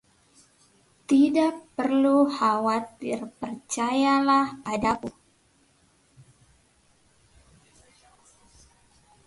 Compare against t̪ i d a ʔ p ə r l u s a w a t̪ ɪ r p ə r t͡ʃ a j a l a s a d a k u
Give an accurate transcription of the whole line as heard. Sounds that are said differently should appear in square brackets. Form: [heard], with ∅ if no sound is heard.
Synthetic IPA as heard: t̪ i d a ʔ p ə r l u [h] a w a t̪ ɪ r p ə r t͡ʃ a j a l a [h] a d a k u